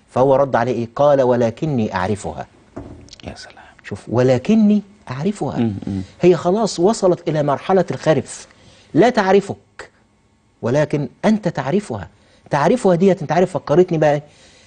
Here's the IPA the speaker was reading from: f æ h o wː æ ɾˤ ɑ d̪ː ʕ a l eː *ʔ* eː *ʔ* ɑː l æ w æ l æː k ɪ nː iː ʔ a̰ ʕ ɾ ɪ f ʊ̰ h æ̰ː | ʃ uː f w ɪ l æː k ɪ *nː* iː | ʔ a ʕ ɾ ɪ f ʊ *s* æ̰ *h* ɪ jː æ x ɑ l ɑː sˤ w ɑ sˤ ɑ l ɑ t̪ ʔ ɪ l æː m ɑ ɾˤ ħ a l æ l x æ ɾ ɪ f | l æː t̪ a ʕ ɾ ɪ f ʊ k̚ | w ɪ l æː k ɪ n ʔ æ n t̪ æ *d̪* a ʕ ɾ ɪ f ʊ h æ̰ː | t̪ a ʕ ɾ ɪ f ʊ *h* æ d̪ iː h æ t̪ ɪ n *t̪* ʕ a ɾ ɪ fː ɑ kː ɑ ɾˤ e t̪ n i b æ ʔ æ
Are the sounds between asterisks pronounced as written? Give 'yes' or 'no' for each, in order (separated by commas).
yes, no, yes, no, yes, no, yes, yes